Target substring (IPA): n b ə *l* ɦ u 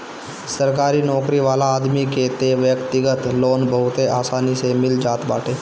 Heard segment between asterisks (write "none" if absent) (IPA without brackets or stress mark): none